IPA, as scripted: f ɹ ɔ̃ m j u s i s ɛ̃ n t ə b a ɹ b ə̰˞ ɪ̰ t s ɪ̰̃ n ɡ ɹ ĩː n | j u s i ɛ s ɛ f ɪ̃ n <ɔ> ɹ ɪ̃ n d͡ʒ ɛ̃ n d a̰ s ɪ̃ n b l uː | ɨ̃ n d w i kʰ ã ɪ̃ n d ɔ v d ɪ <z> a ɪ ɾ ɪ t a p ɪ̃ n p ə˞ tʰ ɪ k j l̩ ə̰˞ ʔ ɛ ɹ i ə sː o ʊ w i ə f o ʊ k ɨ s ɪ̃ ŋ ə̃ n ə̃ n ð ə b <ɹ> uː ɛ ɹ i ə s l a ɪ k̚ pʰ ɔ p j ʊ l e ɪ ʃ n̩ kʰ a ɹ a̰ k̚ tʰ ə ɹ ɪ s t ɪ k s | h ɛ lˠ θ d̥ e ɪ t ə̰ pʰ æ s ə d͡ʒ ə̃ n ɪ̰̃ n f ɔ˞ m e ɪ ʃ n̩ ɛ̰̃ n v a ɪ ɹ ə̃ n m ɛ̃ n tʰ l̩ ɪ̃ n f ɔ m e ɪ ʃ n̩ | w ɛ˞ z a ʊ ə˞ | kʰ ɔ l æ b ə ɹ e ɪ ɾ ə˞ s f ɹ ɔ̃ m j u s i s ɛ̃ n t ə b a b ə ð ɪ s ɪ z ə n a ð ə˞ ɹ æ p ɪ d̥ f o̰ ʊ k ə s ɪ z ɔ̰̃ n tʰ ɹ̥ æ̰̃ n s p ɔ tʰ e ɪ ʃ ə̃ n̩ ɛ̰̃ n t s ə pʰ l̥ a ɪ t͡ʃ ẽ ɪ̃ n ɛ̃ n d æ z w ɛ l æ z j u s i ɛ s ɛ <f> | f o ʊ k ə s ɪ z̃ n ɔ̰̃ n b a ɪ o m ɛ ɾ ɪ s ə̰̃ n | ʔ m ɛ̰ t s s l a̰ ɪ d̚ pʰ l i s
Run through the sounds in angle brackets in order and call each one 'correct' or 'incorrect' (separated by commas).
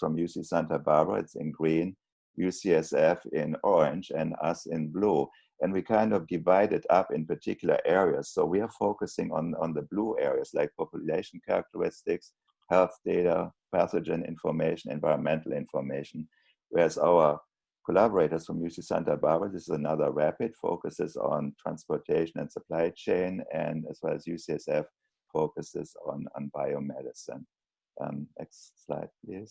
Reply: correct, incorrect, incorrect, correct